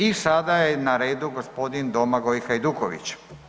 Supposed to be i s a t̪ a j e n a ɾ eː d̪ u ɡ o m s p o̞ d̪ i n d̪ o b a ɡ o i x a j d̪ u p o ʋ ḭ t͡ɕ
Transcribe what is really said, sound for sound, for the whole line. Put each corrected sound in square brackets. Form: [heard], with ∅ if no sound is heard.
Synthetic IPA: i s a [d̪] a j e n a ɾ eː d̪ u ɡ o [∅] s p o̞ d̪ i n d̪ o [m] a ɡ o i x a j d̪ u [k] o ʋ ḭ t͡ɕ